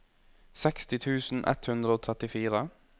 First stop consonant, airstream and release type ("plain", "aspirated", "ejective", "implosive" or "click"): plain